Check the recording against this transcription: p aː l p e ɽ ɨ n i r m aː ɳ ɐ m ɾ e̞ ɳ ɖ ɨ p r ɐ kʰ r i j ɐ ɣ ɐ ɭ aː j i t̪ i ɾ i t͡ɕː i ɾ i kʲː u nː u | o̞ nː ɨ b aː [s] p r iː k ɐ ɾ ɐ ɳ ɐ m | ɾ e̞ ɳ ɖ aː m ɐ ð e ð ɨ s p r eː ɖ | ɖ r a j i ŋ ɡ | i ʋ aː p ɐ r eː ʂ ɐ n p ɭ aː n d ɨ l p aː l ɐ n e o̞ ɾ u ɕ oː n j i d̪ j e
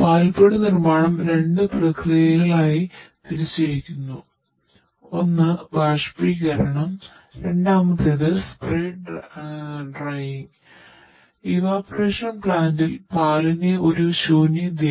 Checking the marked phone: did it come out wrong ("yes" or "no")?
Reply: yes